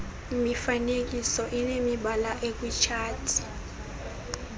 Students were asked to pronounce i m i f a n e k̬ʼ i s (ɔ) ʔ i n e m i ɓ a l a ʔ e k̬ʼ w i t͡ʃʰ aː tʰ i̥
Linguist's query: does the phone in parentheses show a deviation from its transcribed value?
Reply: no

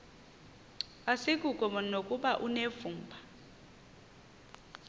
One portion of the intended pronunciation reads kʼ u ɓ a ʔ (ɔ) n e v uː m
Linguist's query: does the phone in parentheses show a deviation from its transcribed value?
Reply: yes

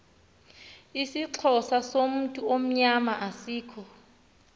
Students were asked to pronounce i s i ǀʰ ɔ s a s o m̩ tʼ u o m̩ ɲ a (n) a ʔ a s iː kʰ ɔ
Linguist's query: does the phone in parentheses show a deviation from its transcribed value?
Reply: yes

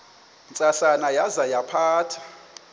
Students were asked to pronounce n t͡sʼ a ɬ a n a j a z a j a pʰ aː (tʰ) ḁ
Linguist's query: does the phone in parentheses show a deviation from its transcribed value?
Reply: no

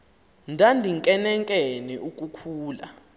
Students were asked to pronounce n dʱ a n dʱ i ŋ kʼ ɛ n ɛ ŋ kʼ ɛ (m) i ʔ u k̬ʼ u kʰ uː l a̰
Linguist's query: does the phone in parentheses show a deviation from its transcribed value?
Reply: yes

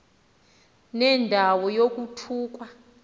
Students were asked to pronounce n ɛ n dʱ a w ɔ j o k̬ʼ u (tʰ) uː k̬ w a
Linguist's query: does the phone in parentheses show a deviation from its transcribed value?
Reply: no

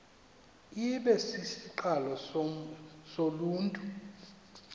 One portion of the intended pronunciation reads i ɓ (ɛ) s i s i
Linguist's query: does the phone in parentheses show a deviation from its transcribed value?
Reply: no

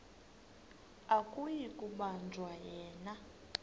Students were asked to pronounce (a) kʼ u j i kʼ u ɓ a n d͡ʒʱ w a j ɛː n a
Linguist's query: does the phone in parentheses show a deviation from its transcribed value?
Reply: no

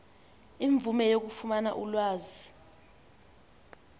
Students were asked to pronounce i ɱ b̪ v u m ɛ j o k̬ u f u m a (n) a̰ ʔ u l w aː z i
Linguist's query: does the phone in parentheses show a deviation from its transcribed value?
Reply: no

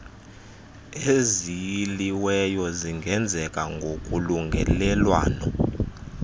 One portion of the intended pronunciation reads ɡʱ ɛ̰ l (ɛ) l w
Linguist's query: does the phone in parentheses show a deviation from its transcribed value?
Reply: no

